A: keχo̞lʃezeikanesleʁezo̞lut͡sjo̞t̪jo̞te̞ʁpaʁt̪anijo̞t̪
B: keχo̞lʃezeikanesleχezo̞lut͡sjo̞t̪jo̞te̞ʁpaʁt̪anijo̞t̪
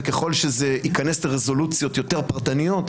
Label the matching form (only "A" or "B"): A